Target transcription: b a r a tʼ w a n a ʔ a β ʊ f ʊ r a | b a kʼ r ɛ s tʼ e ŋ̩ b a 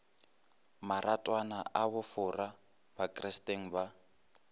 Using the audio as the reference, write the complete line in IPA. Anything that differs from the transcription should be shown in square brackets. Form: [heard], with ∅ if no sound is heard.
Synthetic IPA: [m] a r a tʼ w a n a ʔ a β ʊ f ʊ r a | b a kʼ r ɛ s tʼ e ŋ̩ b a